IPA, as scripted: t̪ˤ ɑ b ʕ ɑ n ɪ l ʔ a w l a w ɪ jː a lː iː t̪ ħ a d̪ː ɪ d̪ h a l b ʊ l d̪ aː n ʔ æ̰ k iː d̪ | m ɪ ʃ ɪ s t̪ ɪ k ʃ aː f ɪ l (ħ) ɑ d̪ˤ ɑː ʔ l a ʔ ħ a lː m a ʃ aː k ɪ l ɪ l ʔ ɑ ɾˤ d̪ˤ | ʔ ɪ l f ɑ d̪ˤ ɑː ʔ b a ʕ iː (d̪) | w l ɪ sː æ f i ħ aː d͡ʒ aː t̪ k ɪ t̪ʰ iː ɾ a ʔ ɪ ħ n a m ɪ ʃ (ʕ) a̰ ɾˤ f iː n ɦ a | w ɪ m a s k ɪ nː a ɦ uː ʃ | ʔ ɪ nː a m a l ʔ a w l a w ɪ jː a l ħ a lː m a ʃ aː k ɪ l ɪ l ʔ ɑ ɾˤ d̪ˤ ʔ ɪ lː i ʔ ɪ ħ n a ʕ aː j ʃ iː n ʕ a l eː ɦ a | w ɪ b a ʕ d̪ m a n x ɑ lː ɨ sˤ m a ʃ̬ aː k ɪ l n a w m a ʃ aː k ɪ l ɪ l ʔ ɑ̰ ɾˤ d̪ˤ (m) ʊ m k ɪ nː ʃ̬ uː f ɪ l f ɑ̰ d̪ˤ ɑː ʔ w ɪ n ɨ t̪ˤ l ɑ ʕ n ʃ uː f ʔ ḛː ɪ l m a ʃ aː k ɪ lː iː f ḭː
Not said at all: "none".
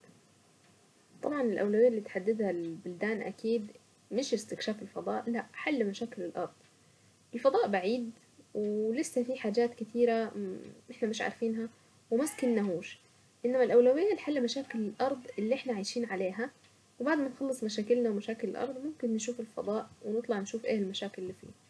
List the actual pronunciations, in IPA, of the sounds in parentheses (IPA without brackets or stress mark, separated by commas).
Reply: f, d̪, ʕ, m